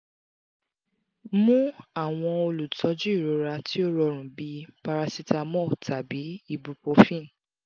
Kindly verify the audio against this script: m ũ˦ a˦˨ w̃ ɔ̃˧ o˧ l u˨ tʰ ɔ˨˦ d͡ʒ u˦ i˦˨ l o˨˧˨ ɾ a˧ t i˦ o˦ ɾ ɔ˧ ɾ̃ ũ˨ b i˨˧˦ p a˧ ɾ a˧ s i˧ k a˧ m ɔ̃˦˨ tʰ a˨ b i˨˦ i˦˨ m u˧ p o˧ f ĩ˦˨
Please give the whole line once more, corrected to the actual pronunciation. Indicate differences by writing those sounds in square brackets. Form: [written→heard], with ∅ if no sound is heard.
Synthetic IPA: m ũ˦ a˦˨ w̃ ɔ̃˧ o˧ l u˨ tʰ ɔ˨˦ d͡ʒ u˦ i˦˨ [l→ɾ] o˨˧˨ ɾ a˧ t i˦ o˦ ɾ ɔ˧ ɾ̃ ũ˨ b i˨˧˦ p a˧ ɾ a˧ s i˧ [k→t] a˧ m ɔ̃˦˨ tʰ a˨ b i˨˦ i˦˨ [m→b] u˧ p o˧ f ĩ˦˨